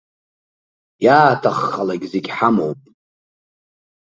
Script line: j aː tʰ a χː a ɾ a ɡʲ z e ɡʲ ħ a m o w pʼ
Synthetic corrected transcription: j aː tʰ a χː a l a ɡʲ z e ɡʲ ħ a m o w pʼ